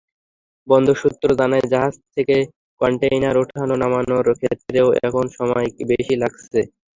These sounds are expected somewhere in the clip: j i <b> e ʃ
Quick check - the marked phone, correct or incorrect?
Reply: correct